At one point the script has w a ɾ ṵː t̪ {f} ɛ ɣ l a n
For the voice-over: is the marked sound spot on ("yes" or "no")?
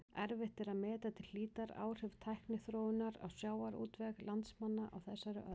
no